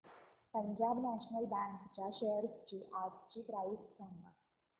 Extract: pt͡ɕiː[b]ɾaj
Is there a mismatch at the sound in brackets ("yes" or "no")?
yes